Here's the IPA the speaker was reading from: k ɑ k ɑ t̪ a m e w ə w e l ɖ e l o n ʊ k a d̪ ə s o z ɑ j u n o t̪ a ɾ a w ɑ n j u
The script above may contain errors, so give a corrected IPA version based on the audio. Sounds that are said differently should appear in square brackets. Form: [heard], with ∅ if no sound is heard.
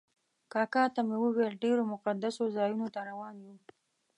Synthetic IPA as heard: k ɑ k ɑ t̪ a m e w ə w e l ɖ e [ɾ] o [m] ʊ [q] a d̪ [a] s o z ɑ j u n o t̪ a ɾ a w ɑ n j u